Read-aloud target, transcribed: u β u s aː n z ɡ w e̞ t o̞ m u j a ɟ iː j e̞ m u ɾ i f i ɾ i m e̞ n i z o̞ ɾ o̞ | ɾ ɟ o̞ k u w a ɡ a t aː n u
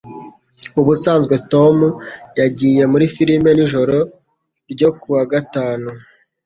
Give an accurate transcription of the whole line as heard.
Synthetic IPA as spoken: u β u s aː n z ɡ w e̞ t o̞ m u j a ɟ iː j e̞ m u ɾ i f i ɾ i m e̞ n i ʒ o̞ ɾ o̞ | ɾ ɟ o̞ k u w a ɡ a t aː n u